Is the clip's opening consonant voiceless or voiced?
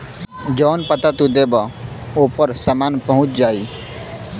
voiced